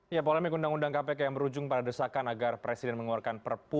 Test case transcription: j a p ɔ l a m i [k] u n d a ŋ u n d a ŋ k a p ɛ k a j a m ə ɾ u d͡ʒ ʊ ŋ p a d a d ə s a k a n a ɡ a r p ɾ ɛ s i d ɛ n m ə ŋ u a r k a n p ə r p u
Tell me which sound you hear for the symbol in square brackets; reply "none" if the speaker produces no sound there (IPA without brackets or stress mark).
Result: k